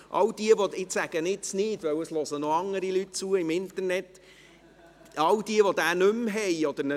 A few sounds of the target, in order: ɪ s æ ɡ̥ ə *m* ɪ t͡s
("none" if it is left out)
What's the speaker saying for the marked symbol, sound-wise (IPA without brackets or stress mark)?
n